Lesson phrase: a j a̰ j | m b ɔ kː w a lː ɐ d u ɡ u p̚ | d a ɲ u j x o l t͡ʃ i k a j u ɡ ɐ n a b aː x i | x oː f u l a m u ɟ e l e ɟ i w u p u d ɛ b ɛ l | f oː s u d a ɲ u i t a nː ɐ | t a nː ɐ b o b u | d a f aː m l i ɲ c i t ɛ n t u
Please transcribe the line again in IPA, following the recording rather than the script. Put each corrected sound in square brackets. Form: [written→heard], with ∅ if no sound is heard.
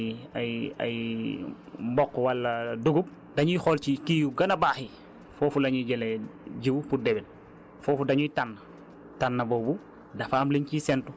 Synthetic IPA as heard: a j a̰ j | m b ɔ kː w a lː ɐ d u ɡ u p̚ | d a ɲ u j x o l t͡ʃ i k [a→i] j u ɡ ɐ n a b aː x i | [x→f] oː f u l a [m→ɲ] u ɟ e l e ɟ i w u p u d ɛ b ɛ l | f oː [s→f] u d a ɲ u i t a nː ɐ | t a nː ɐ b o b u | d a f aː m l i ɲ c i [t→s] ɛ n t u